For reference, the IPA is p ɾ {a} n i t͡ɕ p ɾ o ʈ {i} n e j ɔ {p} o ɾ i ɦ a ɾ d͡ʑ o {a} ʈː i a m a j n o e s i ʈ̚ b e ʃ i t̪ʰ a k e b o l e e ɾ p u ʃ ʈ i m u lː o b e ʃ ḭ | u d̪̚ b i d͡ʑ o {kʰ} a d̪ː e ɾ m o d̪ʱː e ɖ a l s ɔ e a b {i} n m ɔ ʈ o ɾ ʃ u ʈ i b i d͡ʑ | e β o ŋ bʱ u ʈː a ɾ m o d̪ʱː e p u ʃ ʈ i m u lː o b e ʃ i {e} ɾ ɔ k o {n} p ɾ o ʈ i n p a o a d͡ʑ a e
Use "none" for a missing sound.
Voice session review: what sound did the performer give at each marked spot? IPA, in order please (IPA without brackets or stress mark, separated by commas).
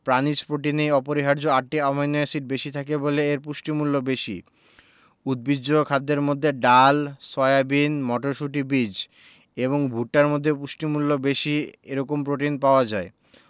a, i, p, a, kʰ, i, e, m